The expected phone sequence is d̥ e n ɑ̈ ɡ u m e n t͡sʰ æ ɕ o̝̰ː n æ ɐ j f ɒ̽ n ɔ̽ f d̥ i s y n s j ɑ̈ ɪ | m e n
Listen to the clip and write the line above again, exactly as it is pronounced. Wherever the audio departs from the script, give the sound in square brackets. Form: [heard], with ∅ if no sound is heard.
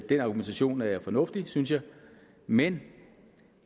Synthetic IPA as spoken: d̥ e n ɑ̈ ɡ u m e n t͡sʰ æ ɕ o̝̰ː n æ ɐ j f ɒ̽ n ɔ̽ f d̥ i s y n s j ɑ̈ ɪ | m e n